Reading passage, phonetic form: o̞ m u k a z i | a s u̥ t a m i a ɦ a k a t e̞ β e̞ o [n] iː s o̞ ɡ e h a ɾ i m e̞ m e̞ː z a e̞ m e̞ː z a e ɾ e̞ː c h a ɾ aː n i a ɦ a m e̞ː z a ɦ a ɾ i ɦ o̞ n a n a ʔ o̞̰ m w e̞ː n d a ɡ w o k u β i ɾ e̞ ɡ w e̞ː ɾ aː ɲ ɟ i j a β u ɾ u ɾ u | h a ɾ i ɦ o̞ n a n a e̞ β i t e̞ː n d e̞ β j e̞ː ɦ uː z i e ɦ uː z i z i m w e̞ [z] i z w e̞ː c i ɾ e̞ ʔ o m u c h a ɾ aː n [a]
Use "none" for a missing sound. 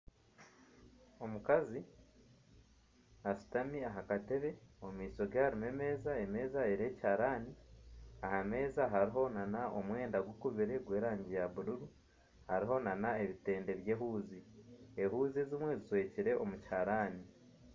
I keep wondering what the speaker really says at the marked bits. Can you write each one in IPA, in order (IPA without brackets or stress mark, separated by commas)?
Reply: m, z, i